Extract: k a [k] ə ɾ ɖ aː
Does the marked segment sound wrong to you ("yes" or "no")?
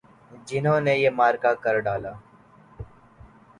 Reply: no